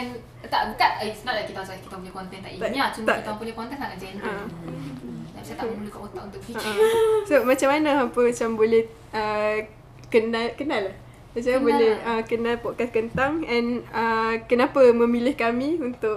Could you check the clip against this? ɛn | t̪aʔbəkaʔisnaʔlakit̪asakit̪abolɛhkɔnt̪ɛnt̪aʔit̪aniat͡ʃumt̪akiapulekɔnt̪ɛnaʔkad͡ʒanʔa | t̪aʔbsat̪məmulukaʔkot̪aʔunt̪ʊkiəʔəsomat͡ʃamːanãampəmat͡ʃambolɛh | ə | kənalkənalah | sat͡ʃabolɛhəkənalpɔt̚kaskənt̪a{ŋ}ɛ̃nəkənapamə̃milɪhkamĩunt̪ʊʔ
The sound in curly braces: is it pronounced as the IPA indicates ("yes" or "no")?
yes